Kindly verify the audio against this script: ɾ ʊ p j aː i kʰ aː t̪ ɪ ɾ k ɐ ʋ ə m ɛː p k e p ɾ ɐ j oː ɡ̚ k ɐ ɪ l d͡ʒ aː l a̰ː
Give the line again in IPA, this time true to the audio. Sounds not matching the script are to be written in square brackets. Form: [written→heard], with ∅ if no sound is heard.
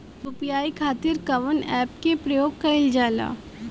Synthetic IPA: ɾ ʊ p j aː i kʰ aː t̪ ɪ ɾ k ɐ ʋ ə [m→n] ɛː p k e p ɾ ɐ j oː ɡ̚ k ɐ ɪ l d͡ʒ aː l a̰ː